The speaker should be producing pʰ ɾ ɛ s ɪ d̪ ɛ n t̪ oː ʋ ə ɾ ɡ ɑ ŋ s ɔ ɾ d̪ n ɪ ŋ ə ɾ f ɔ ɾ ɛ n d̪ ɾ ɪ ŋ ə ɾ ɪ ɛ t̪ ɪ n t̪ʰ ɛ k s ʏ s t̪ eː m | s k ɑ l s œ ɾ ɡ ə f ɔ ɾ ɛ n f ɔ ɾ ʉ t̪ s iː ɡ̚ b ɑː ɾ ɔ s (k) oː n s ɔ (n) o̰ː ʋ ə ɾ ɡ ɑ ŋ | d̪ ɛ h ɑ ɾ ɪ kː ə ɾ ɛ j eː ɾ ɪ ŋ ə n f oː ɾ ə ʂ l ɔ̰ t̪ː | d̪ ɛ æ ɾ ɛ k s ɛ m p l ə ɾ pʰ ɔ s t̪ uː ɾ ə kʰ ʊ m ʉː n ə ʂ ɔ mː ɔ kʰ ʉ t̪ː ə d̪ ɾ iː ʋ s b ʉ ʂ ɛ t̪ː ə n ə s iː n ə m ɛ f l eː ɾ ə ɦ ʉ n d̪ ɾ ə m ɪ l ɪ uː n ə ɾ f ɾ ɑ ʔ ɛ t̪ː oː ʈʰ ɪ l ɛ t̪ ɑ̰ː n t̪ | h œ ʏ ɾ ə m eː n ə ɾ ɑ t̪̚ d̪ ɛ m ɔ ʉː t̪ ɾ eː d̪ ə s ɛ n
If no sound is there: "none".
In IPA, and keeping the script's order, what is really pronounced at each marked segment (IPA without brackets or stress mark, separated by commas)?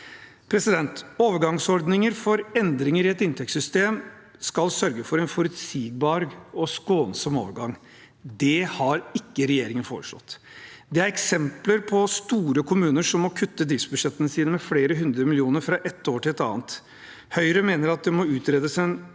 k, m